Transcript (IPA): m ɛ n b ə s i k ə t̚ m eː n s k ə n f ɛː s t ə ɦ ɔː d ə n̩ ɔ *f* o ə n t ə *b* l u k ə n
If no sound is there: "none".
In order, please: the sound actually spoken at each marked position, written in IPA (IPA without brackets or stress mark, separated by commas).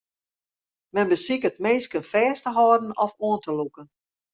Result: f, none